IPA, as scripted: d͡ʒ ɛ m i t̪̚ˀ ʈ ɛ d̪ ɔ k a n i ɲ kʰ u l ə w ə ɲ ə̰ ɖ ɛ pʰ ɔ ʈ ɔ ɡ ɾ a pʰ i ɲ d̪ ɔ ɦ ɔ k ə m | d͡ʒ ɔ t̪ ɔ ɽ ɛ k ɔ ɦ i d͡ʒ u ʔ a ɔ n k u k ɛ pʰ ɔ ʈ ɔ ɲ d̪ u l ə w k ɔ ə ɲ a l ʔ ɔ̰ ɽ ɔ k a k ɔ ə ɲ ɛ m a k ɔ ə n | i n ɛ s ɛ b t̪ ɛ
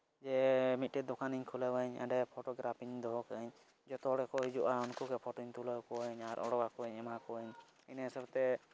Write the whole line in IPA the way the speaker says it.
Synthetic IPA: d͡ʒ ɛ m i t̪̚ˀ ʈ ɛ d̪ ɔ k a n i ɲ kʰ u l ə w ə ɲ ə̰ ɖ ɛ pʰ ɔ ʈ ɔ ɡ ɾ a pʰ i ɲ d̪ ɔ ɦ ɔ k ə ɲ | d͡ʒ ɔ t̪ ɔ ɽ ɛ k ɔ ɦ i d͡ʒ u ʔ a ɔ n k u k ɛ pʰ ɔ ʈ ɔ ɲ t̪ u l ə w k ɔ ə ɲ a ɾ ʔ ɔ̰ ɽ ɔ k a k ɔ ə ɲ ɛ m a k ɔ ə ɲ | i n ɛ s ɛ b t̪ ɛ

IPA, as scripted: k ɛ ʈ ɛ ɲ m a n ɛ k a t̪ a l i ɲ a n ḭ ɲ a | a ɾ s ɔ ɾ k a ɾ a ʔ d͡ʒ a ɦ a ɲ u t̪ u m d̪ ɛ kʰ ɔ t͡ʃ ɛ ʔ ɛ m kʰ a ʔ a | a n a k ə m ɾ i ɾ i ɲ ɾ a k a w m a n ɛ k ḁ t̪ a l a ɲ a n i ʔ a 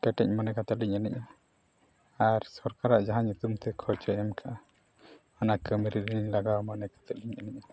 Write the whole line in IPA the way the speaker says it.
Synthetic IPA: k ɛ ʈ ɛ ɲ m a n ɛ k a t̪ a l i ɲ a n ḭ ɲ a | a ɾ s ɔ ɾ k a ɾ a ʔ d͡ʒ a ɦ a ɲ u t̪ u m t̪ ɛ kʰ ɔ t͡ʃ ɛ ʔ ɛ m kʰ a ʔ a | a n a k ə m ɾ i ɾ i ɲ l a ɡ a w m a n ɛ k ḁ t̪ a l i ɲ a n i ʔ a

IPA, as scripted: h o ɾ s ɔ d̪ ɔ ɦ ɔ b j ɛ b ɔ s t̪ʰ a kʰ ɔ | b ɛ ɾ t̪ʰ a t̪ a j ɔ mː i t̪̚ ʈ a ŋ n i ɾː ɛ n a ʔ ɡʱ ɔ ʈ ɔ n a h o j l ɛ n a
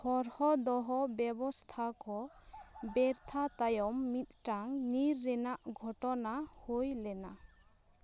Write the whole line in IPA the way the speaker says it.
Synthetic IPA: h ɔ ɾ h ɔ d̪ ɔ ɦ ɔ b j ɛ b ɔ s t̪ʰ a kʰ ɔ | b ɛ ɾ t̪ʰ a t̪ a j ɔ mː i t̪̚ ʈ a ŋ n i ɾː ɛ n a ʔ ɡʱ ɔ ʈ ɔ n a h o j l ɛ n a

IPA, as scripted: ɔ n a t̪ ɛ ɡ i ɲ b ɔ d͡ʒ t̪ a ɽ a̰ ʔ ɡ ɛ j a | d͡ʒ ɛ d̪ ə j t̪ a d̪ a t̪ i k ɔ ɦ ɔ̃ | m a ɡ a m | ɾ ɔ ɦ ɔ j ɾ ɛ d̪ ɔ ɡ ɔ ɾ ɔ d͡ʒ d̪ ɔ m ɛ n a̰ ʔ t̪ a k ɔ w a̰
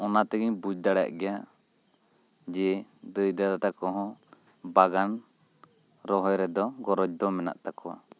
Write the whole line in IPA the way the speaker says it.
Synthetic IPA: ɔ n a t̪ ɛ ɡ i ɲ b u d͡ʒ d̪ a ɽ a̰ ʔ ɡ ɛ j a | d͡ʒ ɛ d̪ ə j d̪ a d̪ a t̪ a k ɔ ɦ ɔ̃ | b a ɡ a n | ɾ ɔ ɦ ɔ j ɾ ɛ d̪ ɔ ɡ ɔ ɾ ɔ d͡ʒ d̪ ɔ m ɛ n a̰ ʔ t̪ a k ɔ w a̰

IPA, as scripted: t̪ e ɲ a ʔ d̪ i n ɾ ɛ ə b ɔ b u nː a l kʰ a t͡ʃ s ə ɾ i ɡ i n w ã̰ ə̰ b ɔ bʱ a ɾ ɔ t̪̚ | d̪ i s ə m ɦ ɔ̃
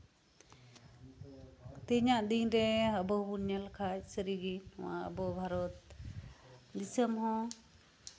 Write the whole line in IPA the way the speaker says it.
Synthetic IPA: t̪ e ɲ a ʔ d̪ i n ɾ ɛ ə b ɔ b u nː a l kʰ a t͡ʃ s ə ɾ i ɡ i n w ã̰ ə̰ b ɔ bʱ a ɾ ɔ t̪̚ | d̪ i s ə m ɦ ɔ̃

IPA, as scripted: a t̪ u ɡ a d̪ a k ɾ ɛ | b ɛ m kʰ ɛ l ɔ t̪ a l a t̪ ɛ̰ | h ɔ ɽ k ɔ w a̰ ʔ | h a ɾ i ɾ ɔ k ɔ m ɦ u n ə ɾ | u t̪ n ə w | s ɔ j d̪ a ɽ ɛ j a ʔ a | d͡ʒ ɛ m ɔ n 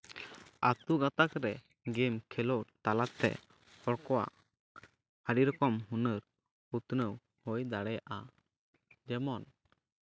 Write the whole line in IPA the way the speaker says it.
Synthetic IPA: a t̪ u ɡ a t̪ a k ɾ ɛ | ɡ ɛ m kʰ ɛ l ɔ t̪ a l a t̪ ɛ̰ | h ɔ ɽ k ɔ w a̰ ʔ | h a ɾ i ɾ ɔ k ɔ m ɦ u n ə ɾ | u t̪ n ə w | h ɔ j d̪ a ɽ ɛ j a ʔ a | d͡ʒ ɛ m ɔ n

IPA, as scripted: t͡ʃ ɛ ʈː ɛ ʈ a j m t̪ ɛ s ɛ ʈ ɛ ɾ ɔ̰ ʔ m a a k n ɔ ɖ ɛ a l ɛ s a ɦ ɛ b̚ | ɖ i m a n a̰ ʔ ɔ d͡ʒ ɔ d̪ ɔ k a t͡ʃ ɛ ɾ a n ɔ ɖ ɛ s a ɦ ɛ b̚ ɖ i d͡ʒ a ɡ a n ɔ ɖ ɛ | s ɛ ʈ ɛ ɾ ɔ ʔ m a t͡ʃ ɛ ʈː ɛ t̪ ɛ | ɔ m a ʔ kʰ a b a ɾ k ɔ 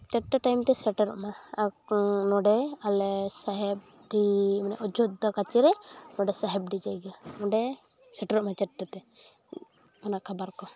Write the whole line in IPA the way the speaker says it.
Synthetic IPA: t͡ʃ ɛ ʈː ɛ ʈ a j m t̪ ɛ s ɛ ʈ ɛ ɾ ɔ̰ ʔ m a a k n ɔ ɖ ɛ a l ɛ s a ɦ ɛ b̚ | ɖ i m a n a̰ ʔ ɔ d͡ʒ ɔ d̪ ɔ k a t͡ʃ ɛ ɾ ɛ n ɔ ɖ ɛ s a ɦ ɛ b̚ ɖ i d͡ʒ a ɡ a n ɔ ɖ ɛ | s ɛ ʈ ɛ ɾ ɔ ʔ m a t͡ʃ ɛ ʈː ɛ t̪ ɛ | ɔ n a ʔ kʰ a b a ɾ k ɔ

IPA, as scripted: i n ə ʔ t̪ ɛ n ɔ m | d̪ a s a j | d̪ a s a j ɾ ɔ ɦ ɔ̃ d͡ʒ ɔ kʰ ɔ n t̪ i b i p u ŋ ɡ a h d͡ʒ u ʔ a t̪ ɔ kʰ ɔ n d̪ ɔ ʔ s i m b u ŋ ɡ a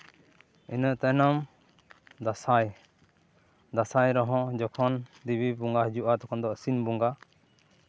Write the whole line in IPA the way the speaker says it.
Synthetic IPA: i n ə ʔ t̪ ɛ n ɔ m | d̪ a s a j | d̪ a s a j ɾ ɔ ɦ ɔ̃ d͡ʒ ɔ kʰ ɔ n d̪ i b i b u ŋ ɡ a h d͡ʒ u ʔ a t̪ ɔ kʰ ɔ n d̪ ɔ ʔ s i n b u ŋ ɡ a

